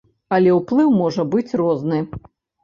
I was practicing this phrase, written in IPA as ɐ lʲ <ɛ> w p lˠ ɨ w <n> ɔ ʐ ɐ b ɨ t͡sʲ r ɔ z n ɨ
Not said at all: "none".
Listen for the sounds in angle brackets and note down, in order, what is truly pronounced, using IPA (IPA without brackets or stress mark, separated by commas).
ɛ, m